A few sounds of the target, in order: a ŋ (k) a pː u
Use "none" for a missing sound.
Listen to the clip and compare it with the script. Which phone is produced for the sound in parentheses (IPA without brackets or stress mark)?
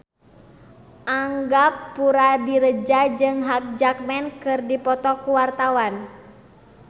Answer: ɡ